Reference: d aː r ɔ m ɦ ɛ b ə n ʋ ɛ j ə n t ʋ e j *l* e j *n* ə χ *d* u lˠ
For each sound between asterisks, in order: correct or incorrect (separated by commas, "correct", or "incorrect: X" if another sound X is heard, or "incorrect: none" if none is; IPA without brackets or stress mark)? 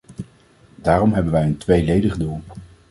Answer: correct, incorrect: d, correct